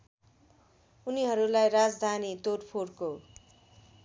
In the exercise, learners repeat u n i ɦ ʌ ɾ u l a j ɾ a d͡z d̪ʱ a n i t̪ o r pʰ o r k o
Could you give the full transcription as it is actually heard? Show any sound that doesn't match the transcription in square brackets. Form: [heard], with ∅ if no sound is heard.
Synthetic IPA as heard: u n i ɦ ʌ ɾ u l a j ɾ a d͡z d̪ʱ a n i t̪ o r pʰ o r k o